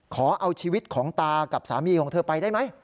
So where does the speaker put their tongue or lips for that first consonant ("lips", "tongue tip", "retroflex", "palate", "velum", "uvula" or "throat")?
velum